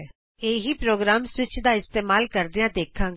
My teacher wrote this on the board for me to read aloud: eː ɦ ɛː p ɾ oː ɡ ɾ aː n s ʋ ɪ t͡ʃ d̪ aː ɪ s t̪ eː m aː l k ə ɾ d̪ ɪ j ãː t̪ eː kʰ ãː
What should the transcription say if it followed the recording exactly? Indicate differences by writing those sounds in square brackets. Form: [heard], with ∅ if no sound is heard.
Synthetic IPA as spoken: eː ɦ [iː] p ɾ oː ɡ ɾ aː [m] s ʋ ɪ t͡ʃ d̪ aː ɪ s t̪ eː m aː l k ə ɾ d̪ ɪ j ãː [d̪] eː kʰ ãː